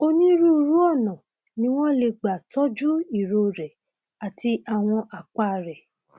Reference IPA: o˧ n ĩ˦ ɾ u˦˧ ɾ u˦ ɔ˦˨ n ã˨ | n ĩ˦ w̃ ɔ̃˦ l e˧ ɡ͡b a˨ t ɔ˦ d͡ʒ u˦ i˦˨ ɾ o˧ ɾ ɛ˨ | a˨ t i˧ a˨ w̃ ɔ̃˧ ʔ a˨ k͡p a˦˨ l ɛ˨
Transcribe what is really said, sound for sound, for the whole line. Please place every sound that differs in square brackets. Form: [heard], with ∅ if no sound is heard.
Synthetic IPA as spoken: o˧ n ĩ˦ ɾ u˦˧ ɾ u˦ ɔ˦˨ n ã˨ | n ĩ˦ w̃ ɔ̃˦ l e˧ ɡ͡b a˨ t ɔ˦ d͡ʒ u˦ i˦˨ ɾ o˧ ɾ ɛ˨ | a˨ t i˧ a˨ w̃ ɔ̃˧ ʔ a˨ k͡p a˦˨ [ɾ] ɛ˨